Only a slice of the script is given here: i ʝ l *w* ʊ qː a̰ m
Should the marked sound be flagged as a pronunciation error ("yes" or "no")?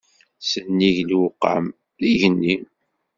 no